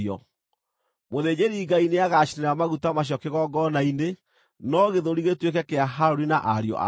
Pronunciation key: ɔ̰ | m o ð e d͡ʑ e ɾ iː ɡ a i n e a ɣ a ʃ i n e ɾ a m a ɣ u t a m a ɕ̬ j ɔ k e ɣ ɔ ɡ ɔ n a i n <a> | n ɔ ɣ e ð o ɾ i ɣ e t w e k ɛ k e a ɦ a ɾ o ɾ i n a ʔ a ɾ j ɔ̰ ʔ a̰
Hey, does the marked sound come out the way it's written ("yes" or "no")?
no